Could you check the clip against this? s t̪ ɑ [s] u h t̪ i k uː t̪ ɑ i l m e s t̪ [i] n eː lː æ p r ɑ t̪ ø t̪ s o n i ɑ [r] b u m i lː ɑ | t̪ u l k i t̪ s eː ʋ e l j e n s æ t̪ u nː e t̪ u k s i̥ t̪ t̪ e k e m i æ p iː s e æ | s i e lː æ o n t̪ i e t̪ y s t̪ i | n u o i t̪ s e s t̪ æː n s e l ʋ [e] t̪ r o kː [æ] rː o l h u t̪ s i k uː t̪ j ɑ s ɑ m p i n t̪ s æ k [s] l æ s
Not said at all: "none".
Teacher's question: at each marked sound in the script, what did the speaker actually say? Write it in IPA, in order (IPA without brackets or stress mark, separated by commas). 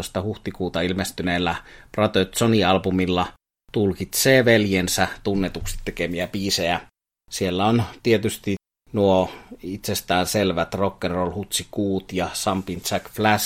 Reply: h, y, l, æ, e, f